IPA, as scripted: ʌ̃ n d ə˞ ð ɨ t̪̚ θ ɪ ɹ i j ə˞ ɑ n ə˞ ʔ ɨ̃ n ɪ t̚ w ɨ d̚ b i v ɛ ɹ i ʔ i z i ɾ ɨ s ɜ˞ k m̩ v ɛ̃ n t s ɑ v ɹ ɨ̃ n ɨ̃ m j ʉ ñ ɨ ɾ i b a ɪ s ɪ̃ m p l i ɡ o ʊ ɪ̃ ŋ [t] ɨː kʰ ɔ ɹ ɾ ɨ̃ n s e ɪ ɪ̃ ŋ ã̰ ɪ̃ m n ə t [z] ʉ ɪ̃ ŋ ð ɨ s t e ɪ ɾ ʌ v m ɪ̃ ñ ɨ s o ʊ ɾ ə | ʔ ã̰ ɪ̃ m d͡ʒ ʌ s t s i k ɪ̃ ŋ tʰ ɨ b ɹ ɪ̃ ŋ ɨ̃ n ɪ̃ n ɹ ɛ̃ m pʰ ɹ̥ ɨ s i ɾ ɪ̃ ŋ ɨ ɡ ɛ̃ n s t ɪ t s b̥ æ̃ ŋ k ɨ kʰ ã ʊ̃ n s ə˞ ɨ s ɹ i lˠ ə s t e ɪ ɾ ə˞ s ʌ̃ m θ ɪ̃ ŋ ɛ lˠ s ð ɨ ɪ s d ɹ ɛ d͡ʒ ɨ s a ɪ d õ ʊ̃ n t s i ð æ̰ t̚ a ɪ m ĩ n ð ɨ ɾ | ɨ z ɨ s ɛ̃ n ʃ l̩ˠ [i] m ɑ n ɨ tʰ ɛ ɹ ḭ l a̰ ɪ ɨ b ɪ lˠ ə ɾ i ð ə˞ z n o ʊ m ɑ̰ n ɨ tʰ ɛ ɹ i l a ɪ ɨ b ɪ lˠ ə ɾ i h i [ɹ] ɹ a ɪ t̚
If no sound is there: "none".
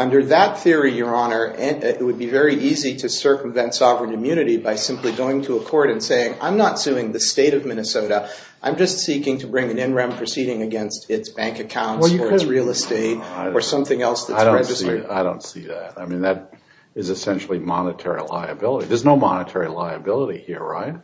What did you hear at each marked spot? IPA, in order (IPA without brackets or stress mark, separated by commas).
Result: tʰ, s, i, ɹ